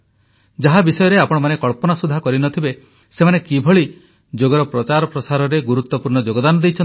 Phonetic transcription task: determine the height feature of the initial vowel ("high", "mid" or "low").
low